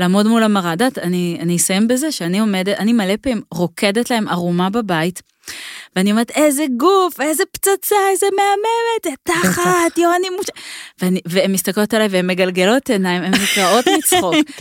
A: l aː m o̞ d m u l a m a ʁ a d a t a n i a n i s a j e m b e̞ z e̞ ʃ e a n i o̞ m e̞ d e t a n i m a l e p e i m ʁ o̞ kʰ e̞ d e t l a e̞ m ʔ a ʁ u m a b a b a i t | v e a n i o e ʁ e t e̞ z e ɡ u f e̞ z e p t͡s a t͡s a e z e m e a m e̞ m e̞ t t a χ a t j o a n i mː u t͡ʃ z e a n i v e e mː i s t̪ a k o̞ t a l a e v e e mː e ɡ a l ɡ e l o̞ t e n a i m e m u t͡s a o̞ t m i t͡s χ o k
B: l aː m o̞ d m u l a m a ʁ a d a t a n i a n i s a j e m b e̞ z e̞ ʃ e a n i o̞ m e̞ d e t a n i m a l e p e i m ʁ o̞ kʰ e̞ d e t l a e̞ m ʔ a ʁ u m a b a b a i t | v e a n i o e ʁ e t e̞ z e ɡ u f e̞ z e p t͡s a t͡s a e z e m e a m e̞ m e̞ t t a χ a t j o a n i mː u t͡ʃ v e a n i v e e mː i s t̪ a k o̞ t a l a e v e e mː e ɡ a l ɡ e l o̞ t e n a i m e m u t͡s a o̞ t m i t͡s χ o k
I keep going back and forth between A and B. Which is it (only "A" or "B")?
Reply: B